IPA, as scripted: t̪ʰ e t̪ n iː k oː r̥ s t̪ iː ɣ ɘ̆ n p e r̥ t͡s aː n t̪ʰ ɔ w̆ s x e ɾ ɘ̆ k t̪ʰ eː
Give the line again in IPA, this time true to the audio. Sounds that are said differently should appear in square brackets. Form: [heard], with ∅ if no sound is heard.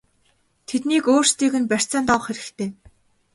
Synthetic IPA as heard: t̪ʰ e t̪ n iː k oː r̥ s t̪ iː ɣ ɘ̆ n p [æ] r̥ t͡s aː n [t̪] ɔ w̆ [χ] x e ɾ ɘ̆ k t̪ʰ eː